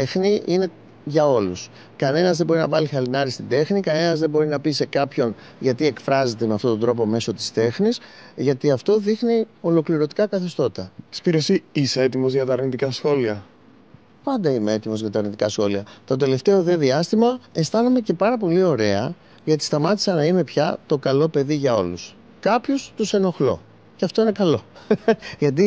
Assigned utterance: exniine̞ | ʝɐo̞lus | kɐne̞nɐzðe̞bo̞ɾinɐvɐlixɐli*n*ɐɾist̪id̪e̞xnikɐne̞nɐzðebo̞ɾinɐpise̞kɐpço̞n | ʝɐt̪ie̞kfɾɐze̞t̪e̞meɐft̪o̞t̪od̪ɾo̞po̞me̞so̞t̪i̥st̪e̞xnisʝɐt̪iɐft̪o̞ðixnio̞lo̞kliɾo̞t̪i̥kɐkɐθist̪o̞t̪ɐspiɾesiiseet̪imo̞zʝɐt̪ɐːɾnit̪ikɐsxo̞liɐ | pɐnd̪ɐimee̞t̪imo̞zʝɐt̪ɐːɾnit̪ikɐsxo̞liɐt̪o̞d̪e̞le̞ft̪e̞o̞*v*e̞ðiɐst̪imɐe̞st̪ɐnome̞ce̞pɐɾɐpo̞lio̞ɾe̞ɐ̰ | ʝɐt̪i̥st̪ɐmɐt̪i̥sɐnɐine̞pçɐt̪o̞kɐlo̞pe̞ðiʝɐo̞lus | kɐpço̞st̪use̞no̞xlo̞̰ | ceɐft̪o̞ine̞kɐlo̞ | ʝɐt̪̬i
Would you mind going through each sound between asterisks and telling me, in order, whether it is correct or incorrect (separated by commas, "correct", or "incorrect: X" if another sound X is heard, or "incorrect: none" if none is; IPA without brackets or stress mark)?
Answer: correct, incorrect: ð